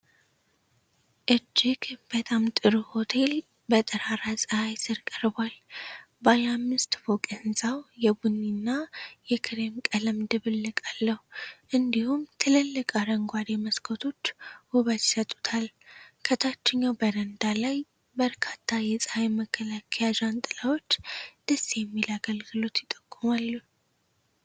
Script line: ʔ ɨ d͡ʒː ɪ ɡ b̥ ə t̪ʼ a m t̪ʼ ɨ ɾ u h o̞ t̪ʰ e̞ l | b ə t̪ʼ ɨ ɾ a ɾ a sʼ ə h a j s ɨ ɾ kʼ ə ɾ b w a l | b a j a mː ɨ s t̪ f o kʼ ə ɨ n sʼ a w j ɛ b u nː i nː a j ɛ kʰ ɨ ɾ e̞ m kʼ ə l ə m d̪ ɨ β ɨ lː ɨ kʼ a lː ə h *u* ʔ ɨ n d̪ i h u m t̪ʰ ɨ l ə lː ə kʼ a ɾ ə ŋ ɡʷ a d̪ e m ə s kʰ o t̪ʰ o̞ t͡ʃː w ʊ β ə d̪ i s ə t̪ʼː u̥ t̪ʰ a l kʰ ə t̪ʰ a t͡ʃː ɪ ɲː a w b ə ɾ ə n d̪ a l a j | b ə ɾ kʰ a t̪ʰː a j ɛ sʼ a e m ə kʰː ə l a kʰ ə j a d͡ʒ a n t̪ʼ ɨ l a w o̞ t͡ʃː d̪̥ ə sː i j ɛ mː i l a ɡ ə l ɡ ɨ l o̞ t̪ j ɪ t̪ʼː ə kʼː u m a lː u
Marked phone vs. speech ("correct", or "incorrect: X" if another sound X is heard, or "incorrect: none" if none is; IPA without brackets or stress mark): correct